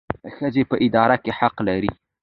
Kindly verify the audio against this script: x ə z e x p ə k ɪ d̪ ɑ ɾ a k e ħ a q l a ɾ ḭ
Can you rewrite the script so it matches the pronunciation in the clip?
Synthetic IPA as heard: x ə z e p ə ʔ ɪ d̪ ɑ ɾ a k e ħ a q l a ɾ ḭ

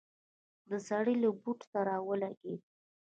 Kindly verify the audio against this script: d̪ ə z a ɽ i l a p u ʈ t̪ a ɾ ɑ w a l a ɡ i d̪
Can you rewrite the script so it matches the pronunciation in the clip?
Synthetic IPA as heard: d̪ ə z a ɽ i l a b u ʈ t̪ a ɾ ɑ w ə l a ɡ e d̪

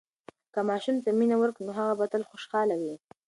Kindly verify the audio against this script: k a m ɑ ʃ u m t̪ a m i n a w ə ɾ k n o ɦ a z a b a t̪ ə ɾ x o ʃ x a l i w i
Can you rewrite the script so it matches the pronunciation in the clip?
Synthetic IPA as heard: k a m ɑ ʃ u m t̪ a m i n a w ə ɾ k n o ɦ a ɣ a b a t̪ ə l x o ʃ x ɑ l a w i

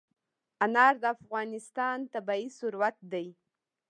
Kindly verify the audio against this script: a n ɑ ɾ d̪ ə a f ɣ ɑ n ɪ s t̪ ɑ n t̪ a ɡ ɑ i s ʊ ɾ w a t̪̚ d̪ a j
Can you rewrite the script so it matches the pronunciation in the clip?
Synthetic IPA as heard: a n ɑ ɾ d̪ ə a f ɣ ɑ n ɪ s t̪ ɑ n t̪ a b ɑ i s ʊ ɾ w a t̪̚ d̪ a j

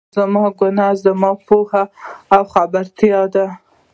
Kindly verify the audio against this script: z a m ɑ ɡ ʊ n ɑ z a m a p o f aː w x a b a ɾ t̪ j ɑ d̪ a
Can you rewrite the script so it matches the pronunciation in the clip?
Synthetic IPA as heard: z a m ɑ ɡ ʊ n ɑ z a m ɑ p o h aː w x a b a ɾ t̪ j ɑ d̪ a

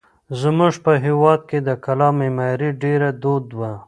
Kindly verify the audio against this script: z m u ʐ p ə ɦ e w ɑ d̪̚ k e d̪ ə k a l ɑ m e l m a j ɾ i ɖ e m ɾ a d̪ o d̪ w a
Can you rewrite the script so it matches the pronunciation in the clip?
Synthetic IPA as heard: z m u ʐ p ə ɦ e w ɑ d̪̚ k e d̪ ə k a l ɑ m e m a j ɾ i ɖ e ɾ a d̪ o d̪ w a

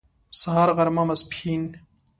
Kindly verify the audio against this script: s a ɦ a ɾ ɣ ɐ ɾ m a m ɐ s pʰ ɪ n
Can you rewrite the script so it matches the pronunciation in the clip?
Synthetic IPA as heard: s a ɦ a ɾ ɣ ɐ ɾ m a m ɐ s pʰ i n

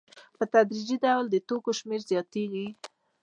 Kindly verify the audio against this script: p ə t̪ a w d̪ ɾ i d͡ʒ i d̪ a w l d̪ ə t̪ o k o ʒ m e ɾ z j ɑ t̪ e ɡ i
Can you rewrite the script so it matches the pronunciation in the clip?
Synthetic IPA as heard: p ə t̪ a d̪ ɾ i d͡ʒ i d̪ a w l d̪ ə t̪ o k o ʃ m e ɾ z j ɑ t̪ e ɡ i

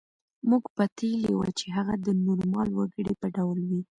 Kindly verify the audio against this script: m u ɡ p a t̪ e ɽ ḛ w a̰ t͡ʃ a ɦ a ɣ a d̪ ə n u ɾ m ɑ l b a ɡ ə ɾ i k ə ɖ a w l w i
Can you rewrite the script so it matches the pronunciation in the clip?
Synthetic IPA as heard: m u ɡ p a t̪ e l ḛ w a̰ t͡ʃ e ɦ a ɣ a d̪ ə n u ɾ m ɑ l w a ɡ ə ɽ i p ə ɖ a w l w i

